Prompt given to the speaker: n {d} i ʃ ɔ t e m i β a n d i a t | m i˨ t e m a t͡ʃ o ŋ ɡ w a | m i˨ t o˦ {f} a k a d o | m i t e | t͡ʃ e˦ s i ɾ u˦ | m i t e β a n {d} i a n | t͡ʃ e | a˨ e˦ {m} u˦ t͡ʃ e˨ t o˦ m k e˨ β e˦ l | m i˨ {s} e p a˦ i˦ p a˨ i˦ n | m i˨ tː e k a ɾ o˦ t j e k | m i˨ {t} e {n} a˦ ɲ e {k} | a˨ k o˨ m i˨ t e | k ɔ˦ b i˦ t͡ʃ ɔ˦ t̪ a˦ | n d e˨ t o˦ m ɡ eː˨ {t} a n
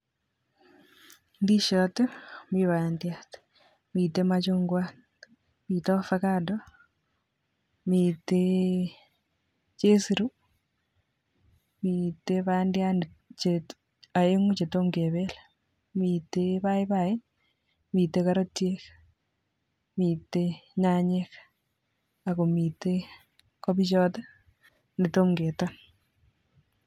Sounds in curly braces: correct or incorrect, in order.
correct, correct, correct, incorrect: ŋ, incorrect: t, correct, incorrect: ɲ, correct, correct

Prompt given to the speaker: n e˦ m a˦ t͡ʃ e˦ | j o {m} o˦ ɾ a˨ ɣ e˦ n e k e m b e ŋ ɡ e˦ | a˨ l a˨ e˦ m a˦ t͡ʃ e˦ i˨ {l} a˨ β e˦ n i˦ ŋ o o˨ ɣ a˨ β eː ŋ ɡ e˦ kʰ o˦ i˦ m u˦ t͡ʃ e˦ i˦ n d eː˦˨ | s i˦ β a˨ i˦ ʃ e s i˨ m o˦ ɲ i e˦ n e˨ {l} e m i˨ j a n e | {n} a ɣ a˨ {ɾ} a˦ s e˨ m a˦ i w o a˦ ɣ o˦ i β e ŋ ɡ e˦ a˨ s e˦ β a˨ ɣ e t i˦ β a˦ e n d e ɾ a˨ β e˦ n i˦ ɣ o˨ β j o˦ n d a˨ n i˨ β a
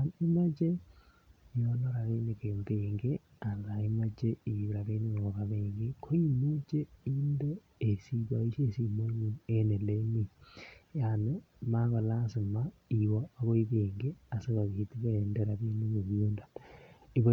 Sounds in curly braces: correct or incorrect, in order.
incorrect: n, incorrect: ɾ, correct, incorrect: m, incorrect: l

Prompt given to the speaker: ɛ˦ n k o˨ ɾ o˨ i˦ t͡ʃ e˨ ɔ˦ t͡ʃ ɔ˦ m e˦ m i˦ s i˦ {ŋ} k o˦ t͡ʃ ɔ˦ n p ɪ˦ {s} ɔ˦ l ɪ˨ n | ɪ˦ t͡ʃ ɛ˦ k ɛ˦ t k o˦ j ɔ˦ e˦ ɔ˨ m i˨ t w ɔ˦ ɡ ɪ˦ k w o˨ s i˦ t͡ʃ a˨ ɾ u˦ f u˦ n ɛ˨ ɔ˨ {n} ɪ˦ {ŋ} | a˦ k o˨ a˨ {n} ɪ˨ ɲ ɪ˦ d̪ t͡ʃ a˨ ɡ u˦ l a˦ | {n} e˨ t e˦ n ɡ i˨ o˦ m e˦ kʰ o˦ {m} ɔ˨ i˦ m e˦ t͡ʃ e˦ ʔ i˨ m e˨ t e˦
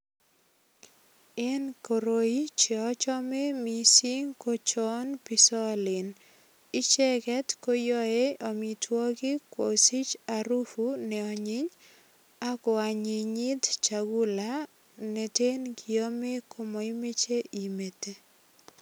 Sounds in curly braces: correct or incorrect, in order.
correct, correct, incorrect: ɲ, incorrect: ɲ, incorrect: ɲ, correct, correct

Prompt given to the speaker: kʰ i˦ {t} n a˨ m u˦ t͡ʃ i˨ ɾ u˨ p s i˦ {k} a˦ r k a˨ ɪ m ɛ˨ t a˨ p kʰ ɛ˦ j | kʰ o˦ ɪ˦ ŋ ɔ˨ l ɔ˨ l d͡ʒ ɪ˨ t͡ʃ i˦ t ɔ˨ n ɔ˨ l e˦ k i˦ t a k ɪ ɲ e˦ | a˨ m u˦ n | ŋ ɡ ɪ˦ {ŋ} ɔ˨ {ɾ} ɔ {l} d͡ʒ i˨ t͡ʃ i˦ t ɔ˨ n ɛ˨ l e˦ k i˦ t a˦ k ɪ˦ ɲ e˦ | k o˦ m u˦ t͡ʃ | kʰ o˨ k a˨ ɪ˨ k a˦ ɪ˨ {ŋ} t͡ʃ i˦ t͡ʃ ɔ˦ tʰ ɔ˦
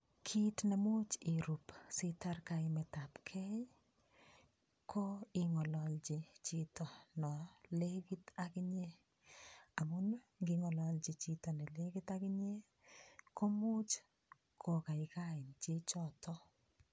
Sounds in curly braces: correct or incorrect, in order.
correct, incorrect: t, correct, incorrect: l, correct, incorrect: n

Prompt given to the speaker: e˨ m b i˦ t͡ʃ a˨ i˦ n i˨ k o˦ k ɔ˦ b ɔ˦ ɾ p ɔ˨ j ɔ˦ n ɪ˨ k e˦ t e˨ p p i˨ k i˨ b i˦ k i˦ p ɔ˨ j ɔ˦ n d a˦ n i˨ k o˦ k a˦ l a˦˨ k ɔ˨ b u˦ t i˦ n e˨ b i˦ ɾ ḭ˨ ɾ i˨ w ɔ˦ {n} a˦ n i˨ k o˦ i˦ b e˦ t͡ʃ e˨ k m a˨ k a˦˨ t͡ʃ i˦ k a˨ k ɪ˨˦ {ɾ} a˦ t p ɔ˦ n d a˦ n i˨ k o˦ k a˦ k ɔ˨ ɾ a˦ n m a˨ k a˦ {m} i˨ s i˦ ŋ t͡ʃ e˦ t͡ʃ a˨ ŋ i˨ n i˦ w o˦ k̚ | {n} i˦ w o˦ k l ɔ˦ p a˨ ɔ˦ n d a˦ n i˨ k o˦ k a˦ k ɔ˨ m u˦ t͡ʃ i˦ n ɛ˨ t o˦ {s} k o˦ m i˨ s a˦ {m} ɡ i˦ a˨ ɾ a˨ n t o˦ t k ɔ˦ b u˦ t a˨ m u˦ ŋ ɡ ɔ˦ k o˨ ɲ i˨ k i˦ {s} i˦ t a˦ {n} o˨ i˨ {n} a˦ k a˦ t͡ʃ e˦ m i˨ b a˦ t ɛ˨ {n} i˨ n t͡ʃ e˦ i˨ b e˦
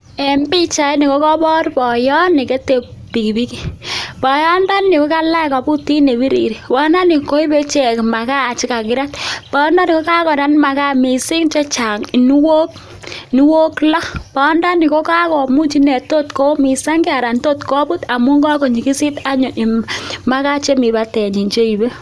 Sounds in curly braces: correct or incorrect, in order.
correct, correct, correct, correct, incorrect: t, incorrect: ŋ, correct, incorrect: ɲ, incorrect: m, incorrect: ɲ

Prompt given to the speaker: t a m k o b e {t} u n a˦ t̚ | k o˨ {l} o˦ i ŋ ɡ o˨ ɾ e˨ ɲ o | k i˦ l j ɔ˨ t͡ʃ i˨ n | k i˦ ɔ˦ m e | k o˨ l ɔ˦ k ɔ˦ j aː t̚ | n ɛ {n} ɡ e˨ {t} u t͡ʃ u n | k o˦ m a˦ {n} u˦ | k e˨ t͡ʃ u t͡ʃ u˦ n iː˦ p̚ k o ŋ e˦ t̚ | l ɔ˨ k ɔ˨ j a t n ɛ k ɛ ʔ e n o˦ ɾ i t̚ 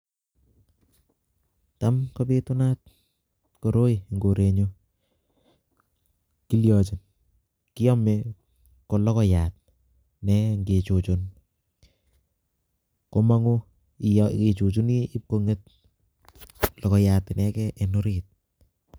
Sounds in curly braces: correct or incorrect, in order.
correct, incorrect: ɾ, incorrect: ŋ, incorrect: t͡ʃ, incorrect: ŋ

